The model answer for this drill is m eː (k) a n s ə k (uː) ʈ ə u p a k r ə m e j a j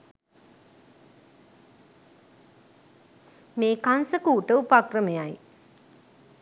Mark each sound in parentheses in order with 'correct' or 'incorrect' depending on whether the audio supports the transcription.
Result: correct, correct

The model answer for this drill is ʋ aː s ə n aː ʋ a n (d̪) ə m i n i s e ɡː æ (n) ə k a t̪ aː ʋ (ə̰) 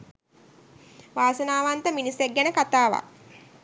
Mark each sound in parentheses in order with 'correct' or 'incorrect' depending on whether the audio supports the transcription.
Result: incorrect: t̪, correct, incorrect: a̰

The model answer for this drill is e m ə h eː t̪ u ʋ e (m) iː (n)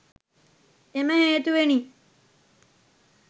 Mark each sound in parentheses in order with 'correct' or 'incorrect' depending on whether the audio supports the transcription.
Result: incorrect: n, incorrect: none

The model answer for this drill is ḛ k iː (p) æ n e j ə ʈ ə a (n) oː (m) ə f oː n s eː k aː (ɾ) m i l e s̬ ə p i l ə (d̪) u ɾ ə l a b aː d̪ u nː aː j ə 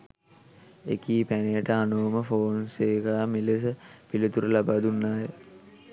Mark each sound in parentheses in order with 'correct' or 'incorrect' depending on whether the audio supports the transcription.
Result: correct, correct, correct, incorrect: none, incorrect: t̪

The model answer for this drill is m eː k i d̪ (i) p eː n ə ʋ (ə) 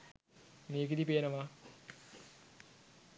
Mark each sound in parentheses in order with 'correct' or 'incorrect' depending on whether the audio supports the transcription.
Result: correct, incorrect: a

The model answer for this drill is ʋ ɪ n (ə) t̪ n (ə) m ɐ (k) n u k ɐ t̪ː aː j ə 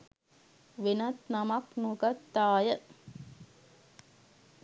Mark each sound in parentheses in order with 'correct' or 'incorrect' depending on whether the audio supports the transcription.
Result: incorrect: ɐ, incorrect: ɐ, correct

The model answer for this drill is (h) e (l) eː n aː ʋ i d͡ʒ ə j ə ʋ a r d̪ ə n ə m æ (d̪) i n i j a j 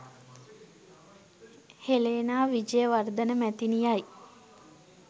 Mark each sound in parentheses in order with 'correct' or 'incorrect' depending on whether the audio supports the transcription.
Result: correct, correct, incorrect: t̪

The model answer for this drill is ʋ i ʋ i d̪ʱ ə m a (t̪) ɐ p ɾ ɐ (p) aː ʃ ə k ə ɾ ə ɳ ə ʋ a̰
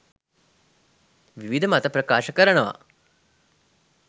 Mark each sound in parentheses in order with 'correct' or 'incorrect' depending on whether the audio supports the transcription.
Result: correct, incorrect: k

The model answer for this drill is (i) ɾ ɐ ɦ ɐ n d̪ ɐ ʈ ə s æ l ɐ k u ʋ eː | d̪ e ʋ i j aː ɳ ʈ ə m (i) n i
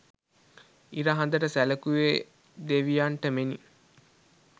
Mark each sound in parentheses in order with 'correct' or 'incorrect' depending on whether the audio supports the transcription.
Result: correct, incorrect: e

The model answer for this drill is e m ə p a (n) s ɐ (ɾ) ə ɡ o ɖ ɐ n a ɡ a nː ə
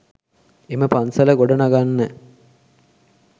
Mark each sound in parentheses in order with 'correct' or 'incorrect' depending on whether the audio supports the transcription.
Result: correct, incorrect: l

